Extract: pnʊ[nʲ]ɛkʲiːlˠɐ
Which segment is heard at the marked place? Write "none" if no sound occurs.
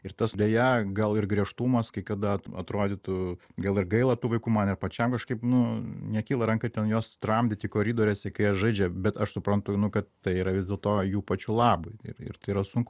nʲ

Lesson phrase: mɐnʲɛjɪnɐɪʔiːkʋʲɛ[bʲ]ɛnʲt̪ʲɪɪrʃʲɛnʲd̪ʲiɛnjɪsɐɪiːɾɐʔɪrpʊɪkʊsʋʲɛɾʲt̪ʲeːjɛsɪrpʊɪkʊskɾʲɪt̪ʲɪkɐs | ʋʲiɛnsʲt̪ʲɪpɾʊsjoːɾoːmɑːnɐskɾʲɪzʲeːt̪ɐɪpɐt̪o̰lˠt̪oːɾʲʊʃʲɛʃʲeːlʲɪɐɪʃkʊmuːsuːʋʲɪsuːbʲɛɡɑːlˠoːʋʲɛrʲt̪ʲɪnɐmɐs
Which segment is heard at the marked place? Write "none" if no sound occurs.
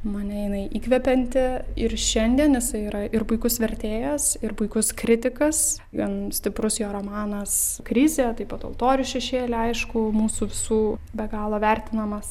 pʲ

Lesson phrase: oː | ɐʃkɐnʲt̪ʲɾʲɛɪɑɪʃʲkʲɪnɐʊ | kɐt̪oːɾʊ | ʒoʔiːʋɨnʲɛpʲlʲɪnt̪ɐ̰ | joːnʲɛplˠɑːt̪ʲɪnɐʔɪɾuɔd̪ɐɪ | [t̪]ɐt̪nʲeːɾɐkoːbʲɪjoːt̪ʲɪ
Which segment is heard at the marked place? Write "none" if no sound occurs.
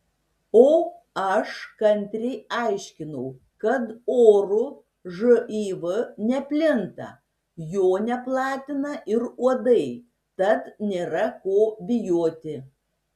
t̪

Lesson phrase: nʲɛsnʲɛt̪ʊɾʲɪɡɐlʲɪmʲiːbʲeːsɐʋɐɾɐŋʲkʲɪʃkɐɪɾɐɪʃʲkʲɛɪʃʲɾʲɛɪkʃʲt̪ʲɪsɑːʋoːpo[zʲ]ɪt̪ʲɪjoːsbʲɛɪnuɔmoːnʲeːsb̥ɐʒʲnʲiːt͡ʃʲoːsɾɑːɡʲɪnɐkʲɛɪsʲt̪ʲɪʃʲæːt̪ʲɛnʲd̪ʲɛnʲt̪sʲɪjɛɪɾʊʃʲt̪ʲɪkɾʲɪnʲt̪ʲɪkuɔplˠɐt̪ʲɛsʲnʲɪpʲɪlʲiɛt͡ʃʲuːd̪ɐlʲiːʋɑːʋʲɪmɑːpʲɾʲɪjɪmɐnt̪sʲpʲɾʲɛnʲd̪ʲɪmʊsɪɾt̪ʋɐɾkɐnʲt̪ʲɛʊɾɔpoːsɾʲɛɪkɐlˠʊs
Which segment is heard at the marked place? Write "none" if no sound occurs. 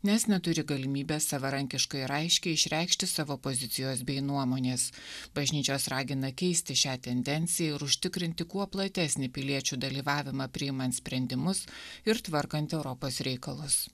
zʲ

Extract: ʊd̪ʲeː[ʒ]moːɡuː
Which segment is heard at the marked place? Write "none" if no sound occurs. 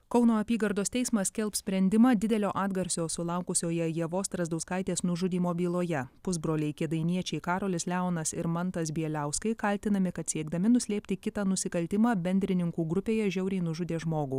ʒ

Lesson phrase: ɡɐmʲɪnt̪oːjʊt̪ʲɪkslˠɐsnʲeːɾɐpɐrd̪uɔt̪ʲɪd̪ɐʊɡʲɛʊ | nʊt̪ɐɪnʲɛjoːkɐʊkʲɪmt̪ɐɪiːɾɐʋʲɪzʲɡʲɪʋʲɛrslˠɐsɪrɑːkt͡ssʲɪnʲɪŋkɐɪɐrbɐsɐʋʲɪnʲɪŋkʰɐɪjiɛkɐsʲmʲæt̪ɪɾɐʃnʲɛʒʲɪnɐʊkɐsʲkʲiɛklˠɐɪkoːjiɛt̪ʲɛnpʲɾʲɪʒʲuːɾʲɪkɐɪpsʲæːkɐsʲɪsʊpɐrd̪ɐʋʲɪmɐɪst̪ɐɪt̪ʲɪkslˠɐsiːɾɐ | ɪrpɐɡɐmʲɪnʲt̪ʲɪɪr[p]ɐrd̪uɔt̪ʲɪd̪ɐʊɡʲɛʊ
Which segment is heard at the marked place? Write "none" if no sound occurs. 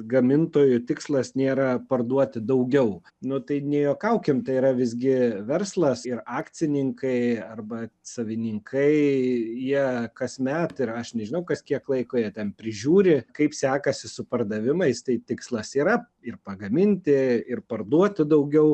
p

